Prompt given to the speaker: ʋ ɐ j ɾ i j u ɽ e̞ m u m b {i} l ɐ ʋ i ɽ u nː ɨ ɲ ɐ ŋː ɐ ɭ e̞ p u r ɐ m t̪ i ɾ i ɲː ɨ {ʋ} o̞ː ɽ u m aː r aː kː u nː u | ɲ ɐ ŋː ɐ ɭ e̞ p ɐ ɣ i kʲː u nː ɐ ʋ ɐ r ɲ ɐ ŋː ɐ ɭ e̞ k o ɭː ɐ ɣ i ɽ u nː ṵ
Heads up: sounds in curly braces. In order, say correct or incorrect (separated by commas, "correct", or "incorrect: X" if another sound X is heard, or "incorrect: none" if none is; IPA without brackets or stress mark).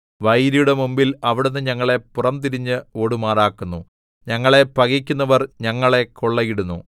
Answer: correct, incorrect: none